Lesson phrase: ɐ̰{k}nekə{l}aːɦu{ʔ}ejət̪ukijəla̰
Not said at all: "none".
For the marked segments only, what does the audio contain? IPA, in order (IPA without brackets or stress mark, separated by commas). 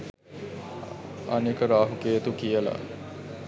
none, ɾ, k